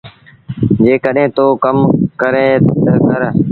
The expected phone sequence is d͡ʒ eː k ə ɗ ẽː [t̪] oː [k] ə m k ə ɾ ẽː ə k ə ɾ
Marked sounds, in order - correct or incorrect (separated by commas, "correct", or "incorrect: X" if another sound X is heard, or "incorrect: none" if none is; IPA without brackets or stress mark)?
correct, correct